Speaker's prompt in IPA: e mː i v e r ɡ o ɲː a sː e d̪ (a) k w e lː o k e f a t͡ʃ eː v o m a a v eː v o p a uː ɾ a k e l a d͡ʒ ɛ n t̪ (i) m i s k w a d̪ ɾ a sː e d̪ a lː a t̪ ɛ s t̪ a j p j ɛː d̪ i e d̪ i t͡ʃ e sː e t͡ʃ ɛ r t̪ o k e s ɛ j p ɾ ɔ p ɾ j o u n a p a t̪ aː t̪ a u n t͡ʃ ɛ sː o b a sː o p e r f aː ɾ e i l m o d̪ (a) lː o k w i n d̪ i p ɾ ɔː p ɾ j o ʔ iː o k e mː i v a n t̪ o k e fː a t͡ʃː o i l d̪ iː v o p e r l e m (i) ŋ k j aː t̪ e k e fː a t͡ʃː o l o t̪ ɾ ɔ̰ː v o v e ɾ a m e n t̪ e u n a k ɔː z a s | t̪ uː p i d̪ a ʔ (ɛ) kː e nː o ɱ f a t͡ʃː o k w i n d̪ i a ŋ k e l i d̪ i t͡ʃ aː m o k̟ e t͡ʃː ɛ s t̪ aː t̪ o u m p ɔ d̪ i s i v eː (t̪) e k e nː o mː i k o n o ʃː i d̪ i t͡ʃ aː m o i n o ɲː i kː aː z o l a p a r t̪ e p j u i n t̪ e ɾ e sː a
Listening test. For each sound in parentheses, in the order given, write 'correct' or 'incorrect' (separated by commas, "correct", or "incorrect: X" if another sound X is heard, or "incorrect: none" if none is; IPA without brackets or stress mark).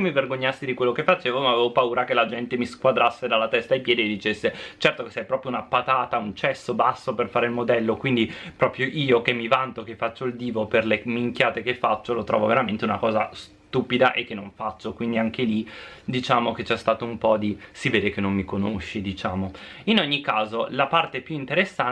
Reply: incorrect: i, incorrect: e, incorrect: ɛ, correct, incorrect: e, incorrect: d̪